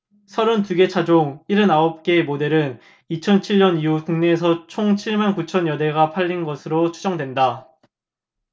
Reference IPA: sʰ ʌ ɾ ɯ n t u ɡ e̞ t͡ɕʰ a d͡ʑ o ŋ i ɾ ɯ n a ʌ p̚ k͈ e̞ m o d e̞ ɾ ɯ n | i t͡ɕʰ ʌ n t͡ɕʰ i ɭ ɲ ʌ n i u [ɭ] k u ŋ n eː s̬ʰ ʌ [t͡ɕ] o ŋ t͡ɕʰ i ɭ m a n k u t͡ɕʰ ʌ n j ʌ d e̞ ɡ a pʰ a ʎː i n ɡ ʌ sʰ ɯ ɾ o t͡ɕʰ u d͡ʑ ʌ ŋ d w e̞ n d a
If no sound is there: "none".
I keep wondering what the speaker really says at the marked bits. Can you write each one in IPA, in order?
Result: none, t͡ɕʰ

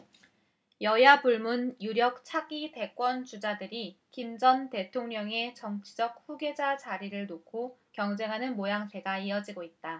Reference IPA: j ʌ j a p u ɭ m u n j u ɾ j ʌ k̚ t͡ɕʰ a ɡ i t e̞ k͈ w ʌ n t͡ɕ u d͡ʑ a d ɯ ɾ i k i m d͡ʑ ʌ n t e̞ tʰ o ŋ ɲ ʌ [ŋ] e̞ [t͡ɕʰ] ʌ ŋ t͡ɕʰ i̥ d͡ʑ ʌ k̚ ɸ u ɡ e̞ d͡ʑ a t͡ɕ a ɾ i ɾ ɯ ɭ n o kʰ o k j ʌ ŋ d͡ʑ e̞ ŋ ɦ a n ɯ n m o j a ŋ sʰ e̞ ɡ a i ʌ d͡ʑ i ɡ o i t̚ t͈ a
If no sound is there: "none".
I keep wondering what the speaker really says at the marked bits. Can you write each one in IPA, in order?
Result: ŋ, t͡ɕ

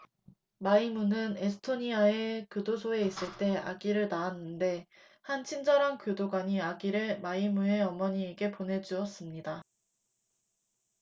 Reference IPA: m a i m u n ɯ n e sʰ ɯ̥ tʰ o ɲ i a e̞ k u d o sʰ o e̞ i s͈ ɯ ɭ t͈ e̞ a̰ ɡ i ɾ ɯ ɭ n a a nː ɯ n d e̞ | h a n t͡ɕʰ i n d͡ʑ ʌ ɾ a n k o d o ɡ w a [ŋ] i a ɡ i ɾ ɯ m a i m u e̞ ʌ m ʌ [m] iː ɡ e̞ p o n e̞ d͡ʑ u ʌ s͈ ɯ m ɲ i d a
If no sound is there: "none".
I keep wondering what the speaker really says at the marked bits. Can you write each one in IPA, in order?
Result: ɲ, ɲ

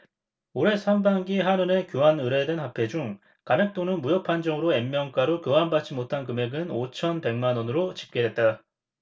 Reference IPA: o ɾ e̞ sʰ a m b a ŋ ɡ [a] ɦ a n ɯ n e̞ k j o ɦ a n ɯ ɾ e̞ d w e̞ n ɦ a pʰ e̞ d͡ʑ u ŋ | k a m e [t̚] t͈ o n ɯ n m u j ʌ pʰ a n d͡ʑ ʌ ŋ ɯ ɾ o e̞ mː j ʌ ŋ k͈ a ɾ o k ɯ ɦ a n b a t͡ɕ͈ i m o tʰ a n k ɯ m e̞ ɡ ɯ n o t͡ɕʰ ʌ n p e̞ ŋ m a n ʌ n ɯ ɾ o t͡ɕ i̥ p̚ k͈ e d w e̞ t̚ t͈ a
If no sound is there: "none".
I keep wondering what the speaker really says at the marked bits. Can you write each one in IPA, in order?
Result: i, k̚

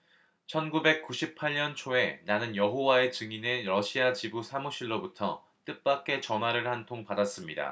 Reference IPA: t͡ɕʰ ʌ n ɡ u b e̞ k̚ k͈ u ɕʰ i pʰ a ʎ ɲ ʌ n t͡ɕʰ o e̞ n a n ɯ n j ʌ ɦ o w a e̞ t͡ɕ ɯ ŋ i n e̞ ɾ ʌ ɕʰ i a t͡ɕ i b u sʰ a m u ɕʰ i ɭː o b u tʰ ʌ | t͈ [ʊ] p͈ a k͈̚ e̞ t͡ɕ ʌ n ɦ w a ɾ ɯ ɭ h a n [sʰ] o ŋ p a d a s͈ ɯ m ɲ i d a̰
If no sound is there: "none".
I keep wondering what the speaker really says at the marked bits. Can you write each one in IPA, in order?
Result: ɯ, tʰ

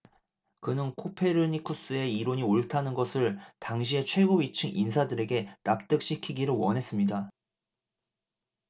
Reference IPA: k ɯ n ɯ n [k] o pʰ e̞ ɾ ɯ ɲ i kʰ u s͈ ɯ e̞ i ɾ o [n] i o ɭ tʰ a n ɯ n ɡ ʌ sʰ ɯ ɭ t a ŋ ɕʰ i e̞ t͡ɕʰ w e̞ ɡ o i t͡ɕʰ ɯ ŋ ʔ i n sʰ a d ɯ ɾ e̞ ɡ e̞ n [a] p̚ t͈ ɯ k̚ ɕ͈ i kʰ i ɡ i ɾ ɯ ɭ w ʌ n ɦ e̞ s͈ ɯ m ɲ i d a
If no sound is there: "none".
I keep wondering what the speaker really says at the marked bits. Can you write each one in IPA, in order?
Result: kʰ, ɲ, a

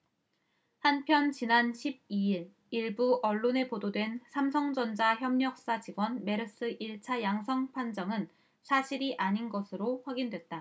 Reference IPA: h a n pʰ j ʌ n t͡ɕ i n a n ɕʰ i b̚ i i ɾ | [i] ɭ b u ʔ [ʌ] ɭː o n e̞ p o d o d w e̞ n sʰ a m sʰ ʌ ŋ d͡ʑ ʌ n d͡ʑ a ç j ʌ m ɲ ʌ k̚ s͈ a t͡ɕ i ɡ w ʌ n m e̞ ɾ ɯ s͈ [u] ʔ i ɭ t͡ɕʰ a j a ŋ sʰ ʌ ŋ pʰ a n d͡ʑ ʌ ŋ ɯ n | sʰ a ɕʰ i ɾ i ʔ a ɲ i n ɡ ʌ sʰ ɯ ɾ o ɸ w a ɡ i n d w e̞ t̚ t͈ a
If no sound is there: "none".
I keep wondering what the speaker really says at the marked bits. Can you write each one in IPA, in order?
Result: i, ʌ, ɯ

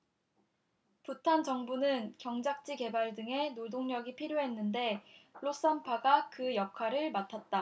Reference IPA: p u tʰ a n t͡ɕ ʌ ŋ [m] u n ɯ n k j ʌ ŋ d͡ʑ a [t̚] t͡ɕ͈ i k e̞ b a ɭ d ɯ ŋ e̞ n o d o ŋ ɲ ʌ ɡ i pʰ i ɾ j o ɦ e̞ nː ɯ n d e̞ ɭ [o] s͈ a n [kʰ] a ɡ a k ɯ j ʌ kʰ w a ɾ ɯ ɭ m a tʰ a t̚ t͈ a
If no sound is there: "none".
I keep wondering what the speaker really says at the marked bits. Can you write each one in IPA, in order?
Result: b, k̚, o, pʰ

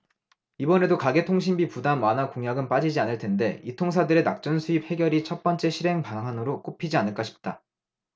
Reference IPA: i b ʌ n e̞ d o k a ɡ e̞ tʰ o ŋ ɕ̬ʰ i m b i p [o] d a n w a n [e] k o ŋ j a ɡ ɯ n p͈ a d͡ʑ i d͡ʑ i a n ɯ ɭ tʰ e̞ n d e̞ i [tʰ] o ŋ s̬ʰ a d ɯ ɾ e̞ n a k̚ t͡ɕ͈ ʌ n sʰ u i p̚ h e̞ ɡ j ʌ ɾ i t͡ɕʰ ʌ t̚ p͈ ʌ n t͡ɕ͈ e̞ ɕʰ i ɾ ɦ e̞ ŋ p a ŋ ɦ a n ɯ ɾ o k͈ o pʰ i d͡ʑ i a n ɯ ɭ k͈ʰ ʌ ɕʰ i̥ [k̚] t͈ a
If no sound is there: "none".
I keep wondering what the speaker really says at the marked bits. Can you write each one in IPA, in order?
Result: u, a, tʰ, p̚

